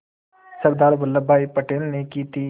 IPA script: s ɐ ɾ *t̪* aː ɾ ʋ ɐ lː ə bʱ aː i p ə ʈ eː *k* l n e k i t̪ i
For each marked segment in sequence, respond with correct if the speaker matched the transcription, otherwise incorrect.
incorrect: d̪, incorrect: none

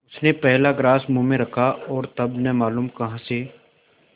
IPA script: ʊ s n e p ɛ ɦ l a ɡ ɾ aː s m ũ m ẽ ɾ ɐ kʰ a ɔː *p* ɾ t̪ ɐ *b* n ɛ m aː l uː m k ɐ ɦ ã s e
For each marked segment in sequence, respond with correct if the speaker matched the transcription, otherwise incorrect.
incorrect: none, correct

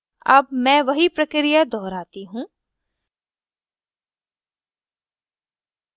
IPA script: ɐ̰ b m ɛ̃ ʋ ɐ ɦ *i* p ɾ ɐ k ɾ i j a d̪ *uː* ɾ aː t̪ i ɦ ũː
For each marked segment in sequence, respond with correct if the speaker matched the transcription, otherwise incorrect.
correct, incorrect: ɔː

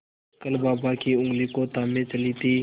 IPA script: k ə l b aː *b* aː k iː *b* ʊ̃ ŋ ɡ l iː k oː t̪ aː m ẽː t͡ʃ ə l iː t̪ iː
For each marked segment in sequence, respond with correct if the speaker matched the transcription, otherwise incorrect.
correct, incorrect: none

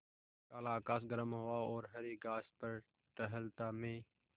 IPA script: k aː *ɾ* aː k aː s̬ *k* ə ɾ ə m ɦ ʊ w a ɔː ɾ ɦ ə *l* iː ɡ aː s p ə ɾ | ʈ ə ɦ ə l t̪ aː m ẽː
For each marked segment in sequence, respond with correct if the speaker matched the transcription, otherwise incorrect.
incorrect: l, incorrect: ɡ, incorrect: ɾ

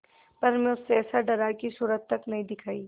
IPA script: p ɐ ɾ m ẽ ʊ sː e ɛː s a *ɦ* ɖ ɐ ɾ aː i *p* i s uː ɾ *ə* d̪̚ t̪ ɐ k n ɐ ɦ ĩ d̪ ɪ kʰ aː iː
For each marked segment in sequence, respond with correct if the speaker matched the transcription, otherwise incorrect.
incorrect: none, incorrect: k, correct

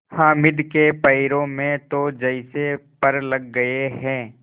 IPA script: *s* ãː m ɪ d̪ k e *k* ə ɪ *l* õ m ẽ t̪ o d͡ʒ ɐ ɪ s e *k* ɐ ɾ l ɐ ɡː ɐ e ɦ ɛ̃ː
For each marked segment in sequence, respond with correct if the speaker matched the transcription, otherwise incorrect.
incorrect: h, incorrect: p, incorrect: ɾ, incorrect: p

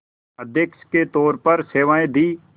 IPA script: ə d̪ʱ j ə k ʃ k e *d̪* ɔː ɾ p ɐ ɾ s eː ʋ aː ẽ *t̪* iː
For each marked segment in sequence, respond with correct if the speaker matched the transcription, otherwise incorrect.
incorrect: t̪, incorrect: d̪

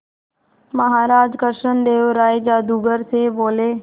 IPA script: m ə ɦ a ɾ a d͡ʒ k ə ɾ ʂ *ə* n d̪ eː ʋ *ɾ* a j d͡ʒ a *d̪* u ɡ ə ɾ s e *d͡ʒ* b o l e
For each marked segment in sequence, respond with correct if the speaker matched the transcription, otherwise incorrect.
correct, correct, correct, incorrect: none

